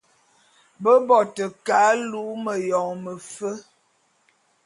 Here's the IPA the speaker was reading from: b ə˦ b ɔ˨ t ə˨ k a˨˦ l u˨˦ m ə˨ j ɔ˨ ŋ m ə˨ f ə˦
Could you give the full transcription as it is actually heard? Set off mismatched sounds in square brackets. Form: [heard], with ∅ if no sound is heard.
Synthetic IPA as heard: b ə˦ b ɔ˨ t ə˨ k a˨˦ l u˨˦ m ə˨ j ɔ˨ ŋ m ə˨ f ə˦